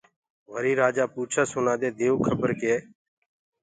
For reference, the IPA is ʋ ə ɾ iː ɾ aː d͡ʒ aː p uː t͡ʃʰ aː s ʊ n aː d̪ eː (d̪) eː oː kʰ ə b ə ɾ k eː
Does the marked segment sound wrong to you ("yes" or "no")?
no